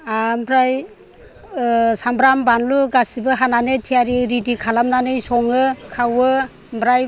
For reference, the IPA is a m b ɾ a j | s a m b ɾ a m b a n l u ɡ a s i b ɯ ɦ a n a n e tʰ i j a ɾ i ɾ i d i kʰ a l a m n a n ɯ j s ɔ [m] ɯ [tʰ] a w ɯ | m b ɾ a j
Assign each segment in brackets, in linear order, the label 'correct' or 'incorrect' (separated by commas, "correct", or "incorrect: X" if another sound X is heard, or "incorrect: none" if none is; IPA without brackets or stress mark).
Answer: incorrect: ŋ, incorrect: kʰ